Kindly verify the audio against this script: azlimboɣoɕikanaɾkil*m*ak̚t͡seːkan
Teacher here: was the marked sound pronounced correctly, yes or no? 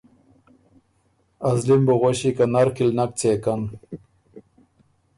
no